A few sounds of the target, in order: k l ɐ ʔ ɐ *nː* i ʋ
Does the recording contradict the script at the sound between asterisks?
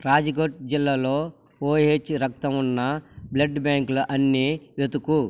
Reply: no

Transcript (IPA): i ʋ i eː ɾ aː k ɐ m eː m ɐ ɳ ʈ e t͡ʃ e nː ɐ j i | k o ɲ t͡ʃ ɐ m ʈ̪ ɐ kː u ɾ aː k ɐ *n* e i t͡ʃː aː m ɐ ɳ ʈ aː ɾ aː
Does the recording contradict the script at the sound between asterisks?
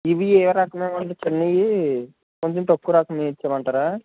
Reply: yes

